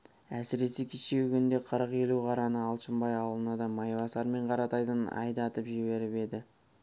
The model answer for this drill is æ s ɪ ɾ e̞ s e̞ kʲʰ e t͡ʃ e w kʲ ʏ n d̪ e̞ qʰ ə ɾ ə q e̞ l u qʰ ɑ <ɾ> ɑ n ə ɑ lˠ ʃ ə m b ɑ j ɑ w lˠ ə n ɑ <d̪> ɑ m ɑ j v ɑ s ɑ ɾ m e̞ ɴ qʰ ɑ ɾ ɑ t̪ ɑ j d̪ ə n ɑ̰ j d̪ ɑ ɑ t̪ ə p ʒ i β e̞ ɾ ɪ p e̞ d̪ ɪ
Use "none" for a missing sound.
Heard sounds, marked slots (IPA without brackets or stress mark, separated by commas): ɾ, d̪